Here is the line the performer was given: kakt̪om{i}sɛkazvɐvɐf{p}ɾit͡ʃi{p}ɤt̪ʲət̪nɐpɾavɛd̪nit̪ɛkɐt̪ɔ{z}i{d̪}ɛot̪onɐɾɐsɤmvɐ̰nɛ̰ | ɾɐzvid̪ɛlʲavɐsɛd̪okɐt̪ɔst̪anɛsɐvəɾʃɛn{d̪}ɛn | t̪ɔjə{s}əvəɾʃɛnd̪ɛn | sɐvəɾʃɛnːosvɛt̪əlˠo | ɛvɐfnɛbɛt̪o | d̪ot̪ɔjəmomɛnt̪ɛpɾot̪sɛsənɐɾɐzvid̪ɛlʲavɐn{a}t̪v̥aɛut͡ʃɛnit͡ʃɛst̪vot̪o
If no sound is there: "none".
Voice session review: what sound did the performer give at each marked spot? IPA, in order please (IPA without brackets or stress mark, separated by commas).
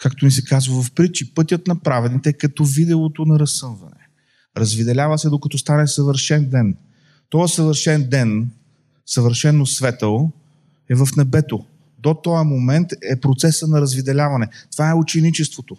i, p, p, v, d̪, d̪, s, ɛ